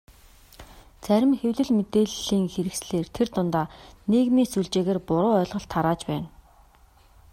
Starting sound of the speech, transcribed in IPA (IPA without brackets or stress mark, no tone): t͡s